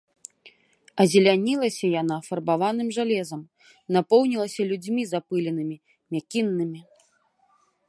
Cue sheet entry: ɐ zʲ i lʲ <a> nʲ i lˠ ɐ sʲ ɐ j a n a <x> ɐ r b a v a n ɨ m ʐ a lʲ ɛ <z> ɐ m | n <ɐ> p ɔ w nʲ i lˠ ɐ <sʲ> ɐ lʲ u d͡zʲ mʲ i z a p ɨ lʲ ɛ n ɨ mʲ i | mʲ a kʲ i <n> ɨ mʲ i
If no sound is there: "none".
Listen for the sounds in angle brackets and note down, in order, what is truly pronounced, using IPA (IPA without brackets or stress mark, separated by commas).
a, f, z, a, sʲ, nː